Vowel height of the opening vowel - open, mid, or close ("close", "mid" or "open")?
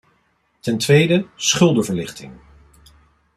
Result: mid